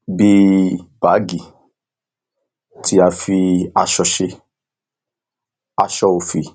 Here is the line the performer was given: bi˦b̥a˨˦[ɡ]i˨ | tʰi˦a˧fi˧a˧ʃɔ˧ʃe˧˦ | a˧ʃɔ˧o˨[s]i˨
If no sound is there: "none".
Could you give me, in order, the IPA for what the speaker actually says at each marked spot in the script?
ɡ, f

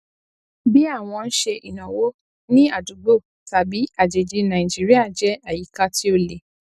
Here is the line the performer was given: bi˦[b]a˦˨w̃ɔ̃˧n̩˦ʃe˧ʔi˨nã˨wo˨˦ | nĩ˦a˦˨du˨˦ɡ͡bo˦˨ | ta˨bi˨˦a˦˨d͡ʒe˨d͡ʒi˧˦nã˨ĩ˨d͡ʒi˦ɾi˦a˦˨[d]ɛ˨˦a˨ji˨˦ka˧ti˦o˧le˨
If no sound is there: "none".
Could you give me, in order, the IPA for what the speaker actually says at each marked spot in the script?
none, d͡ʒ

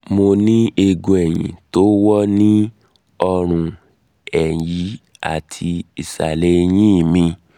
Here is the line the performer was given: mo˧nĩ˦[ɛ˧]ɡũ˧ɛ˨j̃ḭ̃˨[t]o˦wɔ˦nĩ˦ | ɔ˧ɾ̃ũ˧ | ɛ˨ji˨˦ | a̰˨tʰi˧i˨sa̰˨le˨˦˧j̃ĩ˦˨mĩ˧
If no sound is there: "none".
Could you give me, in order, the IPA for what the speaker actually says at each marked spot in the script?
e˧, t

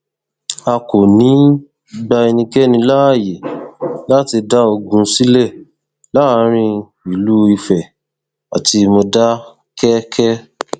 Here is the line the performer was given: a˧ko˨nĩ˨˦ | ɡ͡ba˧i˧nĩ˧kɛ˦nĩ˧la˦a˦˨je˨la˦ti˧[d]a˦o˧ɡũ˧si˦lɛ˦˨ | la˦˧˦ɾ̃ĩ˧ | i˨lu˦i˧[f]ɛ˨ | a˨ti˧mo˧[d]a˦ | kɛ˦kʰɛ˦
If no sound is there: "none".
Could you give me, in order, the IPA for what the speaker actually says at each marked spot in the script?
d, f, d

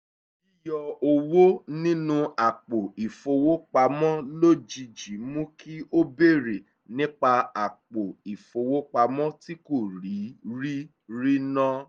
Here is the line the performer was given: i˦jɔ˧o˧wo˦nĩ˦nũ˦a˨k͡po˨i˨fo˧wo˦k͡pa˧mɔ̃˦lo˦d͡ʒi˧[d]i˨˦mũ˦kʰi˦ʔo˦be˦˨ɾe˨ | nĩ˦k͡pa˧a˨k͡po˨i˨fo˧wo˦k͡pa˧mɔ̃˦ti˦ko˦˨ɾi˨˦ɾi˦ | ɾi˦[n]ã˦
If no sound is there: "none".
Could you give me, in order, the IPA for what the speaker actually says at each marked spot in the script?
d͡ʒ, n

